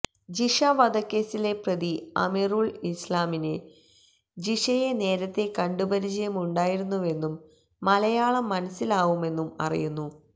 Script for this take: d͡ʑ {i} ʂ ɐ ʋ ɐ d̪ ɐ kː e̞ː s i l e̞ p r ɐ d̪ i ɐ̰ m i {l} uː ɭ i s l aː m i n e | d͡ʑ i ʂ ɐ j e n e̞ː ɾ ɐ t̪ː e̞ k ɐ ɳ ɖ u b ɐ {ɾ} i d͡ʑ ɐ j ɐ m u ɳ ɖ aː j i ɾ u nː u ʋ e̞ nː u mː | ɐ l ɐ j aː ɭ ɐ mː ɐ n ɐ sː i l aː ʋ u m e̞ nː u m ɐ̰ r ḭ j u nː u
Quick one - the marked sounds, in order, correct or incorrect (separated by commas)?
correct, incorrect, correct